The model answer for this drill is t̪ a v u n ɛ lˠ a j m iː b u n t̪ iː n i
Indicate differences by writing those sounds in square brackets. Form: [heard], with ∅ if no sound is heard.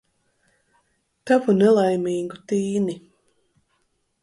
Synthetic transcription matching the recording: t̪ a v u n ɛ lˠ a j m iː [ɡ] u [∅] t̪ iː n i